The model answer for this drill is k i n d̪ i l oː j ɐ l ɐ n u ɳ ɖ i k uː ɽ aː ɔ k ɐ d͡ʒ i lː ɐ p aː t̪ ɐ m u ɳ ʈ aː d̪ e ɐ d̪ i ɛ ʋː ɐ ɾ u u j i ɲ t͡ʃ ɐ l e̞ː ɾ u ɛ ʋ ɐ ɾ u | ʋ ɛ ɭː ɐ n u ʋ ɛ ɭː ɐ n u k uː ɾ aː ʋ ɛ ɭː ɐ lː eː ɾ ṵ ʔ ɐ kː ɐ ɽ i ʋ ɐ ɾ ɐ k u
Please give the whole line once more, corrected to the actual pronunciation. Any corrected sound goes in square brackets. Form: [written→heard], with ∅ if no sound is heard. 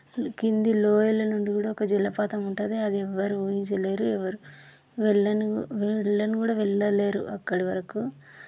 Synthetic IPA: k i n d̪ i l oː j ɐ l ɐ n u ɳ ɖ i k uː ɽ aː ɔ k ɐ d͡ʒ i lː ɐ p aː t̪ ɐ m u ɳ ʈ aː d̪ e ɐ d̪ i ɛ ʋː ɐ ɾ u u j i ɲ t͡ʃ ɐ l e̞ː ɾ u ɛ ʋ ɐ ɾ u | ʋ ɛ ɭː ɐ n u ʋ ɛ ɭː ɐ n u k uː [ɾ→ɽ] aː ʋ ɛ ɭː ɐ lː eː ɾ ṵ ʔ ɐ kː ɐ ɽ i ʋ ɐ ɾ ɐ k u

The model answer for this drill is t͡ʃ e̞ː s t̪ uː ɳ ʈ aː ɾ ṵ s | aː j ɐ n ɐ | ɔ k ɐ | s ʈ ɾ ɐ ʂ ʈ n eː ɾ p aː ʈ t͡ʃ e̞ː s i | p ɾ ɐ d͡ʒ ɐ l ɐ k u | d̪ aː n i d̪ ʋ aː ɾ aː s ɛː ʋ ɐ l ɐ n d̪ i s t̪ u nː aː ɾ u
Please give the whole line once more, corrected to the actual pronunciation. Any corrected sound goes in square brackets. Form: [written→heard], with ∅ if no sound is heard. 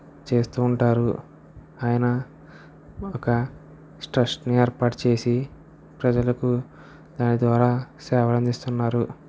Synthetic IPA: t͡ʃ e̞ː s t̪ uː ɳ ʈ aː ɾ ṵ [s→∅] | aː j ɐ n ɐ | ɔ k ɐ | s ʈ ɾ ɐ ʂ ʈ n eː ɾ p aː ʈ t͡ʃ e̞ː s i | p ɾ ɐ d͡ʒ ɐ l ɐ k u | d̪ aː n i d̪ ʋ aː ɾ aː s ɛː ʋ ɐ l ɐ n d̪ i s t̪ u nː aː ɾ u

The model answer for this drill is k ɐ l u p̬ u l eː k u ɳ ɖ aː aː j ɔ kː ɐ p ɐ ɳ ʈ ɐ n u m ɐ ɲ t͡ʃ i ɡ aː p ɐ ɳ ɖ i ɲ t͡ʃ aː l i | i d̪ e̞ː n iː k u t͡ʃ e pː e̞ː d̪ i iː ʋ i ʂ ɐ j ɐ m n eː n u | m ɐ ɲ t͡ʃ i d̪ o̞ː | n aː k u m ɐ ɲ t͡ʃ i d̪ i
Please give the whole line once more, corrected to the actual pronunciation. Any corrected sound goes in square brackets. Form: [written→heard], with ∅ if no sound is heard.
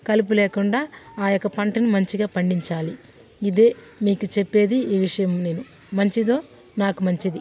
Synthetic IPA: k ɐ l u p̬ u l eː k u ɳ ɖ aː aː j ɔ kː ɐ p ɐ ɳ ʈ ɐ n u m ɐ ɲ t͡ʃ i ɡ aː p ɐ ɳ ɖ i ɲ t͡ʃ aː l i | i d̪ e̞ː [n→m] iː k u t͡ʃ e pː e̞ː d̪ i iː ʋ i ʂ ɐ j ɐ m n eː n u | m ɐ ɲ t͡ʃ i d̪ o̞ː | n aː k u m ɐ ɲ t͡ʃ i d̪ i

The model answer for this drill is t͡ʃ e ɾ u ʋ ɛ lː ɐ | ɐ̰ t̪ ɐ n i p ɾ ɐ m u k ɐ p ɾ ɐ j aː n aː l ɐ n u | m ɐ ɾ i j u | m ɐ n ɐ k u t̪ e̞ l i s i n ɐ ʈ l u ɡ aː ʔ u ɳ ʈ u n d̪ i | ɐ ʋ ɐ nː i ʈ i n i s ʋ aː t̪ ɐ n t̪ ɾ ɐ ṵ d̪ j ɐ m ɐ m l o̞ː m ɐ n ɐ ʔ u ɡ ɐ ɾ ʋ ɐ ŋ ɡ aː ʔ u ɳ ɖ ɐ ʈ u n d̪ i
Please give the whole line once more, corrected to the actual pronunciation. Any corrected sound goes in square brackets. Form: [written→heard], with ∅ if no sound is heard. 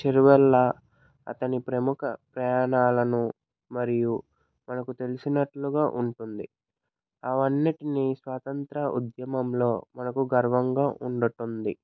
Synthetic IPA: t͡ʃ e ɾ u ʋ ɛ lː ɐ | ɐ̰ t̪ ɐ n i p ɾ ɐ m u k ɐ p ɾ ɐ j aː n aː l ɐ n u | m ɐ ɾ i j u | m ɐ n ɐ k u t̪ e̞ l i s i n ɐ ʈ l u ɡ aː ʔ u ɳ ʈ u n d̪ i | ɐ ʋ ɐ nː i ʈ i n i s ʋ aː t̪ ɐ n t̪ ɾ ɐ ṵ d̪ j ɐ m ɐ m l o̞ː m ɐ n ɐ [ʔ→k] u ɡ ɐ ɾ ʋ ɐ ŋ ɡ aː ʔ u ɳ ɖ ɐ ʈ u n d̪ i

